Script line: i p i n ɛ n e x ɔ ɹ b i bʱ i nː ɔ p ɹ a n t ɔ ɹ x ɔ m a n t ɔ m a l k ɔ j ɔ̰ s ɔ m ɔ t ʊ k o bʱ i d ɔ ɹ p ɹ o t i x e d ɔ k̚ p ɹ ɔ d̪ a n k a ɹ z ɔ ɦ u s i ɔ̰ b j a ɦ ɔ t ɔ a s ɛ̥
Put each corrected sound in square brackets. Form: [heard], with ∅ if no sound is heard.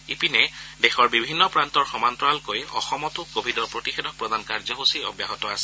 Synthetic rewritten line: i p i n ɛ [d] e x ɔ ɹ b i bʱ i nː ɔ p ɹ a n t ɔ ɹ x ɔ m a n t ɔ [∅] a l k [o] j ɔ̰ [x] ɔ m ɔ t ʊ k o bʱ i d ɔ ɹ p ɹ o t i x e d ɔ k̚ p ɹ ɔ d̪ a n k a ɹ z ɔ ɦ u s i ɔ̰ b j a ɦ ɔ t ɔ a s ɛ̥

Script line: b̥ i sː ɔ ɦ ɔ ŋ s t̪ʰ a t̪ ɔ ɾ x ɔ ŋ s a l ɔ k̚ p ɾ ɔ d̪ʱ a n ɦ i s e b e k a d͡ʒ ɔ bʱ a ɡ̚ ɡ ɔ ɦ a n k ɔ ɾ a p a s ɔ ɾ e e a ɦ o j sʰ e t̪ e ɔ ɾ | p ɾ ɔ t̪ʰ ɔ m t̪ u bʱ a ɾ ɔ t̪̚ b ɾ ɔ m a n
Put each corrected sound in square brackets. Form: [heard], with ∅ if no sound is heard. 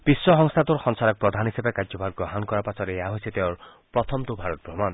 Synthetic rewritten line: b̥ i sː ɔ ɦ ɔ ŋ s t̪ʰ a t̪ [u] ɾ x ɔ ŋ s a [ɾ] ɔ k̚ p ɾ ɔ d̪ʱ a n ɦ i s e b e k a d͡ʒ ɔ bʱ a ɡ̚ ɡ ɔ ɦ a n k ɔ ɾ a p a s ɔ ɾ e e a ɦ o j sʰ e t̪ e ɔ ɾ | p ɾ ɔ t̪ʰ ɔ m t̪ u bʱ a ɾ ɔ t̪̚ b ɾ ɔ m a n

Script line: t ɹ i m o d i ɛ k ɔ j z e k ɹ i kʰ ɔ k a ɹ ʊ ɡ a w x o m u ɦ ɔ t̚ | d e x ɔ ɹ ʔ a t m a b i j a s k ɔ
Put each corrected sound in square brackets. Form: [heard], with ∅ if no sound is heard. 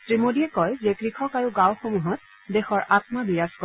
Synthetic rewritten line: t ɹ i m o d i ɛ k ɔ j z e k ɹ i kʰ ɔ k a ɹ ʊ ɡ a w x o m u ɦ ɔ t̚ | d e x ɔ ɹ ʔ a t m a b i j a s k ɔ

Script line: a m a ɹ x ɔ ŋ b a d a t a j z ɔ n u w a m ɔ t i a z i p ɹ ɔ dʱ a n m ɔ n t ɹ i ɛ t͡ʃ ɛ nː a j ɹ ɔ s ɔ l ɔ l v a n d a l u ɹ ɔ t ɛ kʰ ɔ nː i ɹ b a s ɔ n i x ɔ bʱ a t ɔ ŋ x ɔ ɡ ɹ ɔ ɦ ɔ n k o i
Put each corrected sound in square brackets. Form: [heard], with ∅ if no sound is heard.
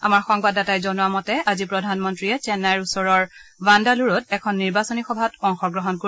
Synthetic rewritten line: a m a ɹ x ɔ ŋ b a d a t a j z ɔ n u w a m ɔ t [ɛ] a z i p ɹ ɔ dʱ a n m ɔ n t ɹ i ɛ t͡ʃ ɛ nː a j ɹ [u] s ɔ [ɹ] ɔ [ɹ] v a n d a l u ɹ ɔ t ɛ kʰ ɔ nː i ɹ b a s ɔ n i x ɔ bʱ a t ɔ ŋ x ɔ ɡ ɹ ɔ ɦ ɔ n k o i

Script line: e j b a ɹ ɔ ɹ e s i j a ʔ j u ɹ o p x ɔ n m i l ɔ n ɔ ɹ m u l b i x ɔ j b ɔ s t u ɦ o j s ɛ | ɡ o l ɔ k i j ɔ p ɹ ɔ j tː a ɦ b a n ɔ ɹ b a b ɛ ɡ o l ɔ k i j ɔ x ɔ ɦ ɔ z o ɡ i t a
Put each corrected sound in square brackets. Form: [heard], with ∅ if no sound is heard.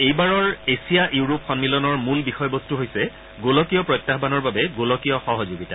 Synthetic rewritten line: e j b a ɹ ɔ ɹ e s i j a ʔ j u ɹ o p x ɔ n m i l ɔ n ɔ ɹ m u l b i x ɔ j b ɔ s t u ɦ o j s ɛ | ɡ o l ɔ k i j ɔ p ɹ ɔ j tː a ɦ b a n ɔ ɹ b a b ɛ ɡ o l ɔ k i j ɔ x ɔ ɦ ɔ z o ɡ i t a

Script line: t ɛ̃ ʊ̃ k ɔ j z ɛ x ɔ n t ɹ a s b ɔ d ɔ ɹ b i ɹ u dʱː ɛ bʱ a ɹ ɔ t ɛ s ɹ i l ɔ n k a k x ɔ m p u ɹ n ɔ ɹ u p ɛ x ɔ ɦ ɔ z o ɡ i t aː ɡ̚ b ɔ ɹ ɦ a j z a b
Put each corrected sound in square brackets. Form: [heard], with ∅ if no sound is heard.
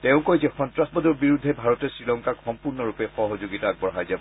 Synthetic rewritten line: t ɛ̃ ʊ̃ k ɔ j z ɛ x ɔ n t ɹ a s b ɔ d ɔ ɹ b i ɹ u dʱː ɛ bʱ a ɹ ɔ t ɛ s ɹ i l ɔ [ŋ] k a k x ɔ m p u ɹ n ɔ ɹ u p ɛ x ɔ ɦ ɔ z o ɡ i t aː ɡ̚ b ɔ ɹ ɦ a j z a b

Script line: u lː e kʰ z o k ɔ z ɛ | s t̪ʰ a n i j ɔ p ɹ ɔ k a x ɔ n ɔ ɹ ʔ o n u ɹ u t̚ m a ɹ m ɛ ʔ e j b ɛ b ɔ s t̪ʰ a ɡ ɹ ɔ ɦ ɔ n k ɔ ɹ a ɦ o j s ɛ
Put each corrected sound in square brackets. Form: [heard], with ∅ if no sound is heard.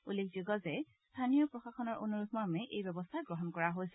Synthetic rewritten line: u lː e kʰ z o [ɡ] ɔ z ɛ | s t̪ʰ a n i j ɔ p ɹ ɔ [x] a x ɔ n ɔ ɹ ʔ o n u ɹ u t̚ m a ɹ m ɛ ʔ e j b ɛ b ɔ s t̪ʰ a ɡ ɹ ɔ ɦ ɔ n k ɔ ɹ a ɦ o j s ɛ

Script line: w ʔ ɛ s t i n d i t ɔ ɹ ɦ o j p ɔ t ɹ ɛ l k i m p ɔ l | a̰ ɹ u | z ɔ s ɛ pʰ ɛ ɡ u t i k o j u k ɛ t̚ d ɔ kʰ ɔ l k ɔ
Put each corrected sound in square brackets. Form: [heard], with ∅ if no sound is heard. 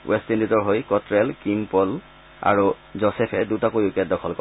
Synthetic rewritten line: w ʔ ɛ s t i n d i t ɔ ɹ ɦ o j [k] ɔ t ɹ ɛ l k i m p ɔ l | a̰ ɹ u | z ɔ s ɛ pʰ ɛ [d] u t [a] k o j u k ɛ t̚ d ɔ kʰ ɔ l k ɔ

